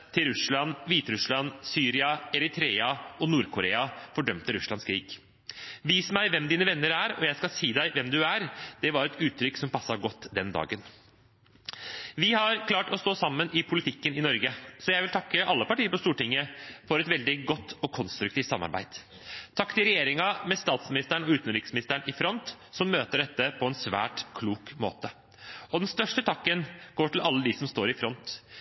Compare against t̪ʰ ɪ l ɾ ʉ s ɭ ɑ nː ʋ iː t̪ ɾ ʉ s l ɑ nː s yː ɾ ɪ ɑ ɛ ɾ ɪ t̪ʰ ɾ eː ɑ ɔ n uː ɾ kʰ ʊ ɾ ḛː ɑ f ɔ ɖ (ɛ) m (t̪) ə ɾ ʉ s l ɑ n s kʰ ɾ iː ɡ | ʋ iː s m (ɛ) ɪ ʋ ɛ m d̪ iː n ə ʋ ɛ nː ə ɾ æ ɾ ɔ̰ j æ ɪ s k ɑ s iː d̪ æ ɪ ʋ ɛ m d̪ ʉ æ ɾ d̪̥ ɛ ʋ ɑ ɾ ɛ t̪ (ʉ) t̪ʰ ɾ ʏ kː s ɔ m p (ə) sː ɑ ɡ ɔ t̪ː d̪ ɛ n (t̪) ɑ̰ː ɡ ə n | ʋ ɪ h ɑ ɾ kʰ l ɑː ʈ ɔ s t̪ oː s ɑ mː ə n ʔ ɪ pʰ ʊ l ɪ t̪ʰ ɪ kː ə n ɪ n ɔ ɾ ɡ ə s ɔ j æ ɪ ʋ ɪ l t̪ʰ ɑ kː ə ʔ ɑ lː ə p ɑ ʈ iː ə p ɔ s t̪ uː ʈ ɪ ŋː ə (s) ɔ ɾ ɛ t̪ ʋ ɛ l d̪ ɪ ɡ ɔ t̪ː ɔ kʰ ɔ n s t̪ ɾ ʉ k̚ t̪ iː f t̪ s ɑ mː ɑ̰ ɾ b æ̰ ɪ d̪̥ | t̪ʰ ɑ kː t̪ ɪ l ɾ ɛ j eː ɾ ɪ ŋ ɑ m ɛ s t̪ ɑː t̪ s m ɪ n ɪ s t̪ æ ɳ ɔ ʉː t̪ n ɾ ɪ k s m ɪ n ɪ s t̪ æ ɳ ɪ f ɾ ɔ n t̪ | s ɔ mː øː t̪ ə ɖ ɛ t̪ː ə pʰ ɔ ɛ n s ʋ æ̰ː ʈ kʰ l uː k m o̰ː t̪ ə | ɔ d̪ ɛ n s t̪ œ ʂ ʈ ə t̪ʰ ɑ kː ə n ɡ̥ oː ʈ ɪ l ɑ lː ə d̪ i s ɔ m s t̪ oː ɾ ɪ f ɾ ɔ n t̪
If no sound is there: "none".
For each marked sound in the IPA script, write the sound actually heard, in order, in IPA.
œ, t̪, æ, ʉː, ɑ, d̪, f

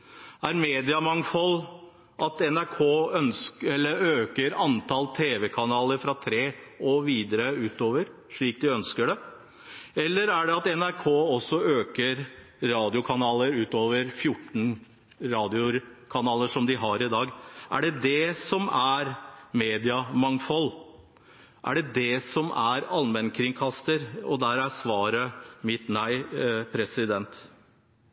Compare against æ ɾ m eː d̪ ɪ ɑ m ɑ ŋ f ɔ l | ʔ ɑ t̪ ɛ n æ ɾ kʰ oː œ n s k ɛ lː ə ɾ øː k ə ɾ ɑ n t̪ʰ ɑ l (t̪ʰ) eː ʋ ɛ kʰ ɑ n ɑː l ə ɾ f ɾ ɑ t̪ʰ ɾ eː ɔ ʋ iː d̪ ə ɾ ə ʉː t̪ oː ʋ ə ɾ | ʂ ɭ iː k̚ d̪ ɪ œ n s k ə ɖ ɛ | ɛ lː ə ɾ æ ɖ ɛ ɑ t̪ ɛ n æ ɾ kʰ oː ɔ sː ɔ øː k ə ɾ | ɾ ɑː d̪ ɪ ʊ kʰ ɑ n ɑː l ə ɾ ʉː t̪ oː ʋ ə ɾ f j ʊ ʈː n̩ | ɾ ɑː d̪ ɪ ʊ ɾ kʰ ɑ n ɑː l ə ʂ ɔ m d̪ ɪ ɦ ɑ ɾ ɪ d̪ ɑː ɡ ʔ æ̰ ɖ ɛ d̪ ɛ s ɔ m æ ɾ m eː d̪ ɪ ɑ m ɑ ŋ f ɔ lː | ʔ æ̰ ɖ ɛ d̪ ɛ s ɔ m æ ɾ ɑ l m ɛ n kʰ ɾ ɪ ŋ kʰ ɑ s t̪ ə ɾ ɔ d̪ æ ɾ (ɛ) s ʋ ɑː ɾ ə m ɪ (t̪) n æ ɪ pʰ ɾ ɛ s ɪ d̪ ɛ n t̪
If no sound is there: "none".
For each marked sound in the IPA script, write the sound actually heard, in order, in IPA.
t̪ʰ, æ, t̪

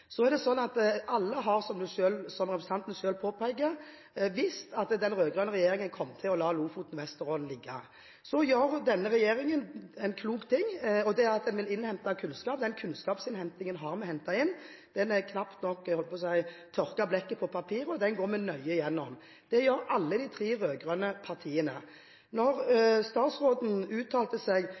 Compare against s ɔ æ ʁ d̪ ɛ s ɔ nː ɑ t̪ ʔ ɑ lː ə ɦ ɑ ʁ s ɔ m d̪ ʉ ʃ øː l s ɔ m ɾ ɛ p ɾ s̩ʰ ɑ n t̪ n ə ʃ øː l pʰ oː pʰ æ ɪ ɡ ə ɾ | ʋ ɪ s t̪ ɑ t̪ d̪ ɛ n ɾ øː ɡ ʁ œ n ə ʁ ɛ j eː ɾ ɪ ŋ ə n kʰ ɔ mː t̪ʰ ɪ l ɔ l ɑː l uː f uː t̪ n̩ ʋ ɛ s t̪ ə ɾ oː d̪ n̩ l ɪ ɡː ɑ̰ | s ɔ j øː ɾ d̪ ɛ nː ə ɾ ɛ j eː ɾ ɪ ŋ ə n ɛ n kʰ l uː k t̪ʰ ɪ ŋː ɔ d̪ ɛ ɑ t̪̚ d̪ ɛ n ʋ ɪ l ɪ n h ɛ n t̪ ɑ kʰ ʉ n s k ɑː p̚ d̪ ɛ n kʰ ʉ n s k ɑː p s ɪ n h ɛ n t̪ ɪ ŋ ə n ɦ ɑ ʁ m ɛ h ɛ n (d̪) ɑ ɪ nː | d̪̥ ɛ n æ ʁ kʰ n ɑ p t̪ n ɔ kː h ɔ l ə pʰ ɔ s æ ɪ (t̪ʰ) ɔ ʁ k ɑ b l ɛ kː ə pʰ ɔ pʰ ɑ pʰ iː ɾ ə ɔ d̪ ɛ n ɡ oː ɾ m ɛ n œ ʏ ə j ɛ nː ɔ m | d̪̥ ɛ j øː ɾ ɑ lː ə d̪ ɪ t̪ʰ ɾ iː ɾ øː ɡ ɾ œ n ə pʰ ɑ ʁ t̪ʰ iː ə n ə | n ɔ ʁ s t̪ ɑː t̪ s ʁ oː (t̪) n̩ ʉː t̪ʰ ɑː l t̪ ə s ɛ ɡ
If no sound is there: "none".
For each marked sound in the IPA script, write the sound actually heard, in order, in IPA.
t̪, t̪ʰ, d̪

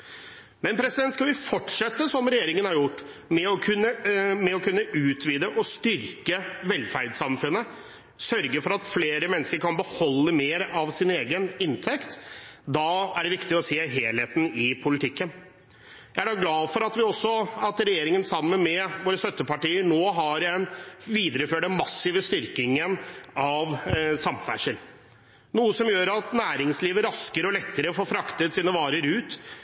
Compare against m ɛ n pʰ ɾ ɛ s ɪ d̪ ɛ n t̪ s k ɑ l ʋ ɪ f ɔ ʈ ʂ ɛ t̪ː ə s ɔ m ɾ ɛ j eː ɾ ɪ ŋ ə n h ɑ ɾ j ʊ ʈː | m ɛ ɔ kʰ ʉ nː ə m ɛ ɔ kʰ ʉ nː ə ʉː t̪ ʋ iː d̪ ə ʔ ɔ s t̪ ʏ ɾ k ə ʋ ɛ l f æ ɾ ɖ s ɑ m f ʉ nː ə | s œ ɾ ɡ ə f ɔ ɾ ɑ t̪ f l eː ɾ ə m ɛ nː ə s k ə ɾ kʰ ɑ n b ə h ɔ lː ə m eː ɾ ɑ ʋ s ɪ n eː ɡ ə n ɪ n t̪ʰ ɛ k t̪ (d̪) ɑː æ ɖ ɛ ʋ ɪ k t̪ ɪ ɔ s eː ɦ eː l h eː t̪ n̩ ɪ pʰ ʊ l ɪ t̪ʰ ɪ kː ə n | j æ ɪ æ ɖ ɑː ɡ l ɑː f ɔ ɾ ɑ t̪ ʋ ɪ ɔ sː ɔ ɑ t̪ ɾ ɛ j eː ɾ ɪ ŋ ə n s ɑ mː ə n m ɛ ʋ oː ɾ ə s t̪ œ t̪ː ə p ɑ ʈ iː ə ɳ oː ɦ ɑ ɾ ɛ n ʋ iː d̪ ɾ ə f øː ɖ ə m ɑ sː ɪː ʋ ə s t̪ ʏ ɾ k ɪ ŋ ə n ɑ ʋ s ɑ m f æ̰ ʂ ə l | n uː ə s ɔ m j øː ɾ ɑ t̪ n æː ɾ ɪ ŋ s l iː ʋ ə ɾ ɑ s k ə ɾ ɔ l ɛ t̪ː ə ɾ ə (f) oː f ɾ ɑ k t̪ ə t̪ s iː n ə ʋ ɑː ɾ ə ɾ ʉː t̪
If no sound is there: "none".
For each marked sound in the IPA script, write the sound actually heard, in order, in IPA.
d̪, f

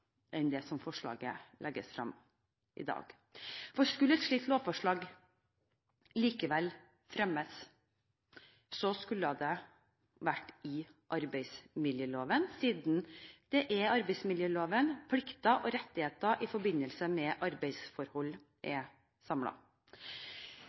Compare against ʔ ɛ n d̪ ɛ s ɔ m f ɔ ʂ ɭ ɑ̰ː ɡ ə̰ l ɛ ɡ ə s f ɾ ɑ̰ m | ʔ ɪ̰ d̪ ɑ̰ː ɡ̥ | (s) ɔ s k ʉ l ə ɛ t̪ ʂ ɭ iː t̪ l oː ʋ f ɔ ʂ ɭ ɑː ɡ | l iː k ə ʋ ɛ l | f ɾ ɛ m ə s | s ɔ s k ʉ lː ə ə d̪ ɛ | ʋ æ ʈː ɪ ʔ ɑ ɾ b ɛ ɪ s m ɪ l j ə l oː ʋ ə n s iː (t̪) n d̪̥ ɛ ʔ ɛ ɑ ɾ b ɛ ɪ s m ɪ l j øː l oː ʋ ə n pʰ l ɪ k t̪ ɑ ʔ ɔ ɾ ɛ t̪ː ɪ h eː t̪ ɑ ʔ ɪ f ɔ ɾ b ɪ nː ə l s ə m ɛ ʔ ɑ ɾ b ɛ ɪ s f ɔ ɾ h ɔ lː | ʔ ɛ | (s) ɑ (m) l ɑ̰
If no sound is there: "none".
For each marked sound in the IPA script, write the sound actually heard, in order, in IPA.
f, d̪, s, m

